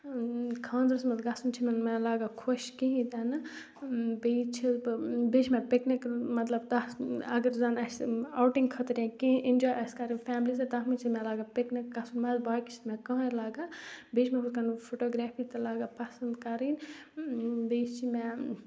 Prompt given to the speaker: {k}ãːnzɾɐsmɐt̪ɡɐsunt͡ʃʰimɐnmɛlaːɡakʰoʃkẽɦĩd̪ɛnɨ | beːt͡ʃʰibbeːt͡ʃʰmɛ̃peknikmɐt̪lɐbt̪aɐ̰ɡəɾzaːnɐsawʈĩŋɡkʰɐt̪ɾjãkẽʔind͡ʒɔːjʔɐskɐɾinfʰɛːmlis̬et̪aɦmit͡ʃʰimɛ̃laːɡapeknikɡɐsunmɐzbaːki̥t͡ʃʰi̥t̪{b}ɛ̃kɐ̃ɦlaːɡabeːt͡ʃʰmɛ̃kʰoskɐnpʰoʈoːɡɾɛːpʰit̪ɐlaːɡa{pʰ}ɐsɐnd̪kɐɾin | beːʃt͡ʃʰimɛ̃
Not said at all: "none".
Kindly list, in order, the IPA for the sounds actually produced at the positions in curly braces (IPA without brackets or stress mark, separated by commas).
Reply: kʰ, m, p